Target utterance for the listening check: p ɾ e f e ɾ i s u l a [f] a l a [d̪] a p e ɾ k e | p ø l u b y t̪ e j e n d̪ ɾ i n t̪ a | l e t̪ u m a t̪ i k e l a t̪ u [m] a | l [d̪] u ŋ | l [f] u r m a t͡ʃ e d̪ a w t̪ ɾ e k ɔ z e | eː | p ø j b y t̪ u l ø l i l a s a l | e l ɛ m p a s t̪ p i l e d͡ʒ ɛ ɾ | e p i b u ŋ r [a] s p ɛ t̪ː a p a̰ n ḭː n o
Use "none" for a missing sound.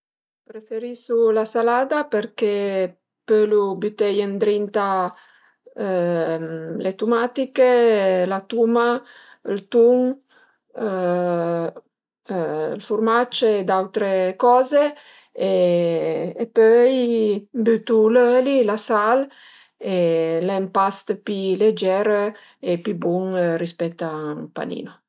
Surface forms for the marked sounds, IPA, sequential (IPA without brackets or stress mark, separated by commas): s, d̪, m, t̪, f, i